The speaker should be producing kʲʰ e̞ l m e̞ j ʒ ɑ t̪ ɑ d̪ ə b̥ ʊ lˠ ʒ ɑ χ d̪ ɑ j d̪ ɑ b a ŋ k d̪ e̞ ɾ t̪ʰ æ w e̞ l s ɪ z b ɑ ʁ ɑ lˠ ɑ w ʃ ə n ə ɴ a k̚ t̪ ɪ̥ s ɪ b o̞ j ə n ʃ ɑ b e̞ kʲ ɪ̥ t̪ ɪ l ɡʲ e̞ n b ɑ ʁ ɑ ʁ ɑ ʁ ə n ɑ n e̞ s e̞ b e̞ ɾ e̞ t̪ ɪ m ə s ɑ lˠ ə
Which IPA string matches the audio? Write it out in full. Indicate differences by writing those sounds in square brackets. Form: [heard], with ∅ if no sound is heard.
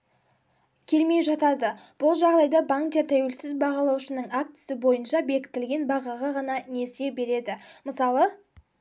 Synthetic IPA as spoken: kʲʰ e̞ l m e̞ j ʒ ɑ t̪ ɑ d̪ ə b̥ ʊ lˠ ʒ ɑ [ʁ] d̪ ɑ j d̪ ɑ b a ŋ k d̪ e̞ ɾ t̪ʰ æ w e̞ l s ɪ z b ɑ ʁ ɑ lˠ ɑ w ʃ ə n ə ɴ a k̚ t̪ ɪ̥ s ɪ b o̞ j ə n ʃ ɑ b e̞ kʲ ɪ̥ t̪ ɪ l ɡʲ e̞ n b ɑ ʁ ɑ ʁ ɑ ʁ [ɑ] n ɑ n e̞ s e̞ b e̞ ɾ e̞ [d̪] ɪ m ə s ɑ lˠ ə